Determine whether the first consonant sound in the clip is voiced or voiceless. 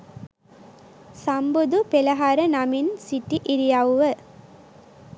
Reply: voiceless